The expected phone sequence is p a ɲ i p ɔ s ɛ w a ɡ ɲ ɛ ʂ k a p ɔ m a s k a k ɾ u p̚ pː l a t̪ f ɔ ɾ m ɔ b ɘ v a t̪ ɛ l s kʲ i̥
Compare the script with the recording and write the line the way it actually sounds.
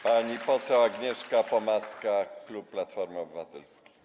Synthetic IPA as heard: p a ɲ i p ɔ s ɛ w a ɡ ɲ ɛ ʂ k a p ɔ m a s k a k l u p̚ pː l a t̪ f ɔ ɾ m ɔ b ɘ v a t̪ ɛ l s kʲ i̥